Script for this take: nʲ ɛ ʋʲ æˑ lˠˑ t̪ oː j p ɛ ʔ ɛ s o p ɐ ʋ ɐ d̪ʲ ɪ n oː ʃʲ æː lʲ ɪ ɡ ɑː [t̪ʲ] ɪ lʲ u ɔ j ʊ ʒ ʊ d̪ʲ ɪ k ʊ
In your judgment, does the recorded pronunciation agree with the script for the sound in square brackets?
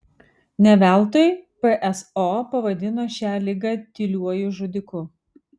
yes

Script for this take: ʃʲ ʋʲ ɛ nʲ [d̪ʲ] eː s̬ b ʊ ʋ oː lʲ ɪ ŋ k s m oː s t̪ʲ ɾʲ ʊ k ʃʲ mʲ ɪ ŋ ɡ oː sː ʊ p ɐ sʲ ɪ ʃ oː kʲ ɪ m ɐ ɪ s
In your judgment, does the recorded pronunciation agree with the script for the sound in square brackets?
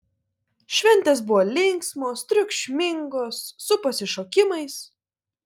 no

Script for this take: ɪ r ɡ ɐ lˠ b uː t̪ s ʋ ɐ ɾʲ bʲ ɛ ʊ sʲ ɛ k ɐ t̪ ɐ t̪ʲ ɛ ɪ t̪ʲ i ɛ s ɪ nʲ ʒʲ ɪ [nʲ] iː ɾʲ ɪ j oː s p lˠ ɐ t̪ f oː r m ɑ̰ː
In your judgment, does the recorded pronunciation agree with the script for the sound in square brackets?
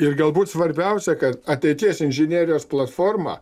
yes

